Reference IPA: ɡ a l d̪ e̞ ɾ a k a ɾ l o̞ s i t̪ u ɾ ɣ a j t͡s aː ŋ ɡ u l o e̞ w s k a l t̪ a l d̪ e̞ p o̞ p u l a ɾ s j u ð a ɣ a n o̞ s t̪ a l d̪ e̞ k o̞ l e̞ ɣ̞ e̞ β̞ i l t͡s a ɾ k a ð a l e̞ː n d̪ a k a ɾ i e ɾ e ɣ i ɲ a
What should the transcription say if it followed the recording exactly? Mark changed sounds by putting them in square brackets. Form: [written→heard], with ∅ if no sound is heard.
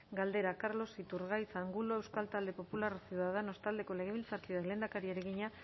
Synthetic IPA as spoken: ɡ a l d̪ e̞ ɾ a k a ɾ l o̞ s i t̪ u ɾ ɣ a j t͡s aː ŋ ɡ u l o e̞ w s k a l t̪ a l d̪ e̞ p o̞ p u l a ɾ s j u ð a [ɣ→ð] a n o̞ s t̪ a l d̪ e̞ k o̞ l e̞ ɣ̞ e̞ β̞ i l t͡s a ɾ k [a→i] ð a l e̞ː n d̪ a k a ɾ i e ɾ e ɣ i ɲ a

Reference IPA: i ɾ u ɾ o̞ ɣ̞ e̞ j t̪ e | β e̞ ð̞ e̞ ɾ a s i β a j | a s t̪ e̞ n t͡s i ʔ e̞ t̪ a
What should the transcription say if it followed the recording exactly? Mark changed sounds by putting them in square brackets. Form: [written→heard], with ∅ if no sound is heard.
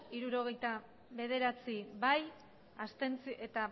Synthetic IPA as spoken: i ɾ u ɾ o̞ ɣ̞ e̞ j t̪ [e→a] | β e̞ ð̞ e̞ ɾ a [s→t͡s] i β a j | a s t̪ e̞ n t͡s i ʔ e̞ t̪ a

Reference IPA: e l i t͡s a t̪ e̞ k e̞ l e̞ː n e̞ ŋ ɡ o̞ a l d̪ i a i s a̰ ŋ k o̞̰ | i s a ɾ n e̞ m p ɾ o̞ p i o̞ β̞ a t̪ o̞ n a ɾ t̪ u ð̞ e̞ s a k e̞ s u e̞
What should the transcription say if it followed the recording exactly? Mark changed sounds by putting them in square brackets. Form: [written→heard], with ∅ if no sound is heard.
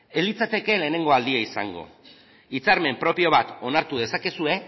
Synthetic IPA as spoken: e l i t͡s a t̪ e̞ k e̞ l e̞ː n e̞ ŋ ɡ o̞ a l d̪ i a i s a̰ ŋ [k→ɡ] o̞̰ | i [s→t͡s] a ɾ [n→m] e̞ m p ɾ o̞ p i o̞ β̞ a t̪ o̞ n a ɾ t̪ u ð̞ e̞ s a k e̞ s u e̞

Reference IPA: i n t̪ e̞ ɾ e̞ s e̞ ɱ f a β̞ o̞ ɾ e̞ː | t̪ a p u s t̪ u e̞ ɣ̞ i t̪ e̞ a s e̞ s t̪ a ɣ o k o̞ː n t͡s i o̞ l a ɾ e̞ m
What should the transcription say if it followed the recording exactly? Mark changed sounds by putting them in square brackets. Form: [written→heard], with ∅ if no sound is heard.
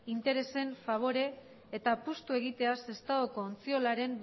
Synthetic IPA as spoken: i n t̪ e̞ ɾ e̞ s e̞ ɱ f a β̞ o̞ ɾ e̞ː | t̪ a p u s t̪ u e̞ ɣ̞ i t̪ e̞ a s e̞ s t̪ a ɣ o k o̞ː n t͡s i o̞ l a ɾ e̞ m

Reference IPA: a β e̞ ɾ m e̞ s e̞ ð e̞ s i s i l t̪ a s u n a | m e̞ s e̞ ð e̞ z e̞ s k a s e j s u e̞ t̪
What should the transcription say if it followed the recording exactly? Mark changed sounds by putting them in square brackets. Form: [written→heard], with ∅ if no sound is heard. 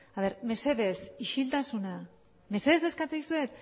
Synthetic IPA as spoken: a β e̞ ɾ m e̞ s e̞ ð e̞ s i [s→ʃ] i l t̪ a s u n a | m e̞ s e̞ ð e̞ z e̞ s k a [s→t͡s] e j s u e̞ t̪

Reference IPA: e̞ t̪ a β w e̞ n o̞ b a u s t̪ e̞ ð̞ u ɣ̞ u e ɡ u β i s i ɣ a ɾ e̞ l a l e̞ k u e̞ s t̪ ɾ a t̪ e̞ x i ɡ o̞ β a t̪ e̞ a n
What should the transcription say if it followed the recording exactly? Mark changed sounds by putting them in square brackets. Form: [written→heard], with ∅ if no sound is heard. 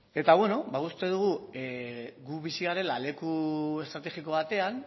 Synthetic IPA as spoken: e̞ t̪ a β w e̞ n o̞ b a u s t̪ e̞ ð̞ u ɣ̞ u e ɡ u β i s i ɣ a ɾ e̞ l a l e̞ k u e̞ s t̪ ɾ a t̪ e̞ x i [ɡ→k] o̞ β a t̪ e̞ a n

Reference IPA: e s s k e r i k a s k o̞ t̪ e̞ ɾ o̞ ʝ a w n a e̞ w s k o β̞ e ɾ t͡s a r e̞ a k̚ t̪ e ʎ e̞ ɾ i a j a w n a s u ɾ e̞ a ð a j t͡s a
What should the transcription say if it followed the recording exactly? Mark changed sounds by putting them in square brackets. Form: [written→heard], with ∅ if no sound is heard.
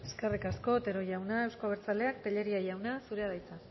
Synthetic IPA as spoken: e s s k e r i k a s k o̞ t̪ e̞ ɾ o̞ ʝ a w n a e̞ w s k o β̞ e ɾ t͡s a [r→l] e̞ a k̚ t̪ e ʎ e̞ ɾ i a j a w n a s u ɾ e̞ a ð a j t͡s a

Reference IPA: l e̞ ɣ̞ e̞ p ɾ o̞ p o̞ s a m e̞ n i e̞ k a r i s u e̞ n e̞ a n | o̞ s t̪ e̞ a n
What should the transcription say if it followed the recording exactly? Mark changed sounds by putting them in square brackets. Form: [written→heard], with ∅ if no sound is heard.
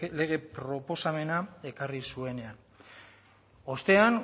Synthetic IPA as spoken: l e̞ ɣ̞ e̞ p ɾ o̞ p o̞ s a m e̞ n [i→a] e̞ k a r i s u e̞ n e̞ a n | o̞ s t̪ e̞ a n

